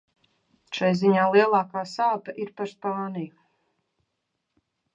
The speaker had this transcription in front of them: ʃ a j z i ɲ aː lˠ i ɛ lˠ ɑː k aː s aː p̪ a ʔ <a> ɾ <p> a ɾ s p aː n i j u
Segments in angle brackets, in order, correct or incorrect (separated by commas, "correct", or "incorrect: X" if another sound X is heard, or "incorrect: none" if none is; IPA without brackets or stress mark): incorrect: i, correct